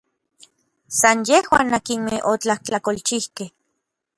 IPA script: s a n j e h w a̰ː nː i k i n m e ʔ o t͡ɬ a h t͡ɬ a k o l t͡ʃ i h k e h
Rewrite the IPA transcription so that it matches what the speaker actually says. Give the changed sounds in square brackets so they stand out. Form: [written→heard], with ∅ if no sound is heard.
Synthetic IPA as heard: s a n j e h w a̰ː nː [i→a] k i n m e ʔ o t͡ɬ a h t͡ɬ a k o l t͡ʃ i h k e h